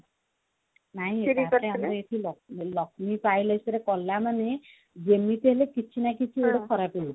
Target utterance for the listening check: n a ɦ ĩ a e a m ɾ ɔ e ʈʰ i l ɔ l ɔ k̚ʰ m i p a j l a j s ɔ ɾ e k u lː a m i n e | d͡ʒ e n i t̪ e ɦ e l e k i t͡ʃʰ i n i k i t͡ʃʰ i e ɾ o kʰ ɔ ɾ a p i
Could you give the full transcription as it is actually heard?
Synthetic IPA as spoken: n a ɦ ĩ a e a m ɾ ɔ e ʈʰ i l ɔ l ɔ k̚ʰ m i p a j l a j s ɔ ɾ e k ɔ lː a m a n e | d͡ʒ e m i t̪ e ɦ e l e k i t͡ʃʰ i n a k i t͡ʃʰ i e ɽ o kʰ ɔ ɾ a p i

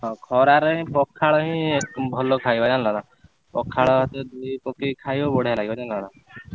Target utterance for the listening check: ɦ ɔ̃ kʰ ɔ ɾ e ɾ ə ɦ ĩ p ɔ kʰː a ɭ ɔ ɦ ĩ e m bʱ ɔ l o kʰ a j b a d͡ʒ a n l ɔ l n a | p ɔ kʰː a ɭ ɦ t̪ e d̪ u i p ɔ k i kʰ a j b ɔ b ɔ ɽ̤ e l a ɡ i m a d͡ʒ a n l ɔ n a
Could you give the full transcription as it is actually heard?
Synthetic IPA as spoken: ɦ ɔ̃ kʰ ɔ ɾ a ɾ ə ɦ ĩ p ɔ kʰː a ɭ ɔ ɦ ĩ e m bʱ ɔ l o kʰ a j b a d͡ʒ a n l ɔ n a | p ɔ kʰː a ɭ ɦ t̪ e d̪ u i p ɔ k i kʰ a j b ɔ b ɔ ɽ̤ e l a ɡ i b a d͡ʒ a n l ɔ n a

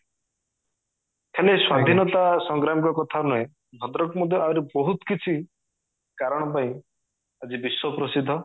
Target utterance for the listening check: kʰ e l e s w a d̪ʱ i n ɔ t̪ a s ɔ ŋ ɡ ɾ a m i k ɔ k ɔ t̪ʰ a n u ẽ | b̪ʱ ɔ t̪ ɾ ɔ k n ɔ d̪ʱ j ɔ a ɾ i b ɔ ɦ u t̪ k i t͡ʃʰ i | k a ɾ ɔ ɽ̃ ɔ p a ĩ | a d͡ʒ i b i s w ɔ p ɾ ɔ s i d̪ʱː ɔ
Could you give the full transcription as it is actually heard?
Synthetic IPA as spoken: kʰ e l e s w a d̪ʱ i n ɔ t̪ a s ɔ ŋ ɡ ɾ a m i k ɔ k ɔ t̪ʰ a n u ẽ | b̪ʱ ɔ d̪ ɾ ɔ k m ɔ d̪ʱ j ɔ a ɾ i b ɔ ɦ u t̪ k i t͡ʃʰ i | k a ɾ ɔ ɽ̃ ɔ p a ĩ | a d͡ʒ i b i s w ɔ p ɾ ɔ s i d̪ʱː ɔ

